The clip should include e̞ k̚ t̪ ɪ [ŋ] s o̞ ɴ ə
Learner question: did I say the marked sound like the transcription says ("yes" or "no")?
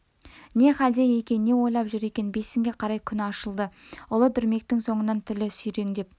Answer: yes